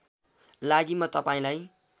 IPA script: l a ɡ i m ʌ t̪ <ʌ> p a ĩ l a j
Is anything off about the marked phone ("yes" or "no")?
no